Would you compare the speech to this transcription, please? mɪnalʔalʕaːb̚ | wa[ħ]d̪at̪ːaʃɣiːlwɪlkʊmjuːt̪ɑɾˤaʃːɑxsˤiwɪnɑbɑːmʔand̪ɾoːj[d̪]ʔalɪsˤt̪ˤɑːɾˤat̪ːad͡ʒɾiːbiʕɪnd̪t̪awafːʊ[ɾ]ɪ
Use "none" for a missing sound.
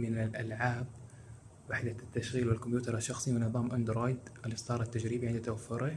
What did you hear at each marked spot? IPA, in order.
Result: ħ, d̪, ɾ

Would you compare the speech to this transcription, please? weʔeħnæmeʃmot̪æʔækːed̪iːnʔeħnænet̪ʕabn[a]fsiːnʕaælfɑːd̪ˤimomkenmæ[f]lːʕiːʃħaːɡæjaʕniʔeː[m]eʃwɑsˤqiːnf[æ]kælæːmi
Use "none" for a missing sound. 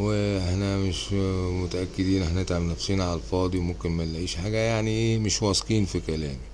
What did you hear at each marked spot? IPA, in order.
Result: æ, none, m, i

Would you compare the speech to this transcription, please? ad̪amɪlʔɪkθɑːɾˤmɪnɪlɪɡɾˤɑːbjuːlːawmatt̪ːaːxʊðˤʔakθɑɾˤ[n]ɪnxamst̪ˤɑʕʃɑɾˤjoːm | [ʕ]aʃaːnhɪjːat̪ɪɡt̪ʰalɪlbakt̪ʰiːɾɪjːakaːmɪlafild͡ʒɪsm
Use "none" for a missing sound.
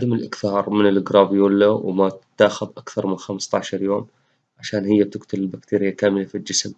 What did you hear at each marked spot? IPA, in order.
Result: m, ʕ

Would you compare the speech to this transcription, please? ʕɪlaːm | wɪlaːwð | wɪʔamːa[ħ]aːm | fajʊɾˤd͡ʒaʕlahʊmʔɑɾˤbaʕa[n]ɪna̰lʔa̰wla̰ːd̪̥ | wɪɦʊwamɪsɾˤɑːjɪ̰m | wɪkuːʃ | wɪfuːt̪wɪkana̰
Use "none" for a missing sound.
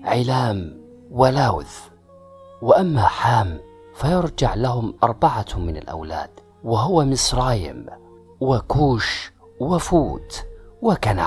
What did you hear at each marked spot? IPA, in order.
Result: ħ, m

